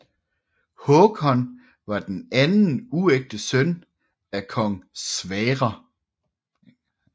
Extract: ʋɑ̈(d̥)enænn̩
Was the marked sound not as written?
no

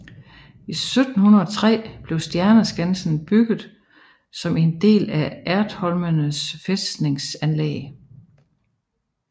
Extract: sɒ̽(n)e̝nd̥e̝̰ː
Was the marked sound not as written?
yes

